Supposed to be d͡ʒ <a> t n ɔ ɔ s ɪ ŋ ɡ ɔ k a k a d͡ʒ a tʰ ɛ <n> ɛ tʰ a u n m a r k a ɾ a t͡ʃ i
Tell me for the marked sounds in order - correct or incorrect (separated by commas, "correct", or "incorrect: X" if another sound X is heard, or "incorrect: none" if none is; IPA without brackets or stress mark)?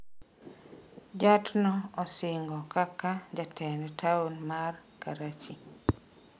correct, correct